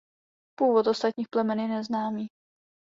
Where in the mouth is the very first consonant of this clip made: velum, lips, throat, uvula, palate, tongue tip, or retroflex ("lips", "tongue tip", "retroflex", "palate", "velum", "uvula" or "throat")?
lips